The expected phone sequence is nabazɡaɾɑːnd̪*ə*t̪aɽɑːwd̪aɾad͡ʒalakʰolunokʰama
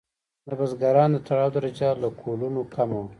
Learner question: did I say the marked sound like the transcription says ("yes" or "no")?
yes